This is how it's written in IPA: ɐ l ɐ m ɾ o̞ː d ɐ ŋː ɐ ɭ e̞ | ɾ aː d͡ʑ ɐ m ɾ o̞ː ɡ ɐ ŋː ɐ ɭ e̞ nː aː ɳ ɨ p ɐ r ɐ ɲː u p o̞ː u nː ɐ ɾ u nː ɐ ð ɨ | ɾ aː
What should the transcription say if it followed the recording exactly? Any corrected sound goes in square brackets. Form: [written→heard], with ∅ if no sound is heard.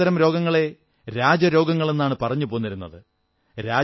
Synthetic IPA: ɐ [l→ɾ] ɐ m ɾ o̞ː [d→ɡ] ɐ ŋː ɐ ɭ e̞ | ɾ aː d͡ʑ ɐ [m→∅] ɾ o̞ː ɡ ɐ ŋː ɐ ɭ e̞ nː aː ɳ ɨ p ɐ r ɐ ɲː u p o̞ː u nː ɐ ɾ u nː ɐ ð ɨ | ɾ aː